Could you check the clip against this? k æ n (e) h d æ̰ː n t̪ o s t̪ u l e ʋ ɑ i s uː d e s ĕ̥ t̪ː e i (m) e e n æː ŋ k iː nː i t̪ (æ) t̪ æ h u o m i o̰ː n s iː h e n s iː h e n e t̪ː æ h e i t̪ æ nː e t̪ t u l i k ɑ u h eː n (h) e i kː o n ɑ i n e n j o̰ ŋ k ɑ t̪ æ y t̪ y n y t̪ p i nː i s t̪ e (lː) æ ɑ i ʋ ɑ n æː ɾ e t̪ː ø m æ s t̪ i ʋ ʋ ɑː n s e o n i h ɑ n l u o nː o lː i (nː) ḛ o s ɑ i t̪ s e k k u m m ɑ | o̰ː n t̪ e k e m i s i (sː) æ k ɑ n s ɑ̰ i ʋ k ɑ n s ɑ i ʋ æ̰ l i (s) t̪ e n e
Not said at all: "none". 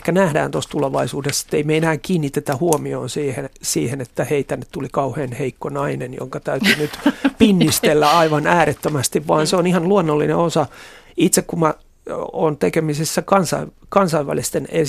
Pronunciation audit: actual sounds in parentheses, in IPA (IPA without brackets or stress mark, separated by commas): æ, m, e, h, lː, n, sː, s